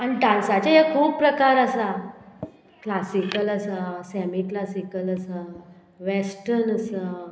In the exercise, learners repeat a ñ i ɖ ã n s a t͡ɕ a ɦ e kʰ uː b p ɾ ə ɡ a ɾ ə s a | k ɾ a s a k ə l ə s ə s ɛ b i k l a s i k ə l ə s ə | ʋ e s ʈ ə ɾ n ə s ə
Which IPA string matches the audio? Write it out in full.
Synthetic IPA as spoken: a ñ i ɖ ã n s a t͡ɕ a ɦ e kʰ uː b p ɾ ə k a ɾ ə s a | k l a s i k ə l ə s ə s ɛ m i k l a s i k ə l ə s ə | ʋ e s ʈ ə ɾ n ə s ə